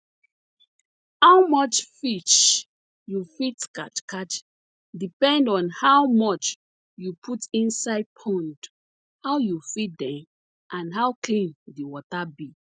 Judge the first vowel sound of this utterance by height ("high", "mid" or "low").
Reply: low